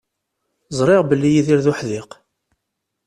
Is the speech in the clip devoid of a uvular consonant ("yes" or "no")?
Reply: no